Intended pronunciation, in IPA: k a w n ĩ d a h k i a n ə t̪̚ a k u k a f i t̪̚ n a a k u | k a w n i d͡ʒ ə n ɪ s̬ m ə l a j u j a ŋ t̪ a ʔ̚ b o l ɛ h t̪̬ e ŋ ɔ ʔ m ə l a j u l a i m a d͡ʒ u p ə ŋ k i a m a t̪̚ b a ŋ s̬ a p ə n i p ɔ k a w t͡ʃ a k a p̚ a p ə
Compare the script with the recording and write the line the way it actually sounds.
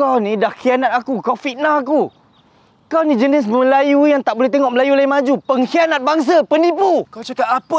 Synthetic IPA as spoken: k a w n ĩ d a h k i a n a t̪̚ a k u k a f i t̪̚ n a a k u | k a w n i d͡ʒ ə n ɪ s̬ m ə l a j u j a ŋ t̪ a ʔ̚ b o l ɛ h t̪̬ e ŋ ɔ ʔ m ə l a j u l a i m a d͡ʒ u p ə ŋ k i a n a t̪̚ b a ŋ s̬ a p ə n i p u k a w t͡ʃ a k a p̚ a p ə